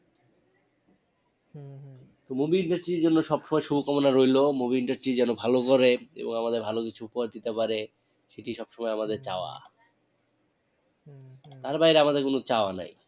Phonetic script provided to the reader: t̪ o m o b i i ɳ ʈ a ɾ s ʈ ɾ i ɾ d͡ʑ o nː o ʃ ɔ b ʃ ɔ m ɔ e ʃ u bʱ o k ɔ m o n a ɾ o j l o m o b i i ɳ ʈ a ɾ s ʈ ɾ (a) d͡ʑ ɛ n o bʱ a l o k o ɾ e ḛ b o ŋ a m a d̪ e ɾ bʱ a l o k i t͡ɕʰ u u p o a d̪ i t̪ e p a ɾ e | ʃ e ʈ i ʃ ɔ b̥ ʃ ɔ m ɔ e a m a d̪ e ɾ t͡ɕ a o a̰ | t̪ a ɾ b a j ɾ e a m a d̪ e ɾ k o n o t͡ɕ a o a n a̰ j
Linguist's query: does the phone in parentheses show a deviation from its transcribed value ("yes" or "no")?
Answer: yes